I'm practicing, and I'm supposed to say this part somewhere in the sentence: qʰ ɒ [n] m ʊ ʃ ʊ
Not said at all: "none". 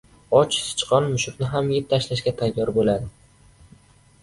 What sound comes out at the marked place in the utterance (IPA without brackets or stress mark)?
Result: n